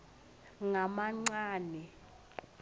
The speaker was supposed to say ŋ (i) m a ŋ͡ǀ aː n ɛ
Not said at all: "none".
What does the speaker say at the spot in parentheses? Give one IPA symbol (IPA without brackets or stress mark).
a